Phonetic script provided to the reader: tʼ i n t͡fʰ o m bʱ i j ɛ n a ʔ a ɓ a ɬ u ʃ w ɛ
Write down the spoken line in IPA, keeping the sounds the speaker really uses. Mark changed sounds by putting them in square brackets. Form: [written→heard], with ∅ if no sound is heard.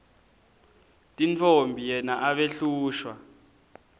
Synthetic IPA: tʼ i n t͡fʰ o m bʱ i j ɛ n a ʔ a ɓ [a→e] ɬ [u→uː] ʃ w [ɛ→a]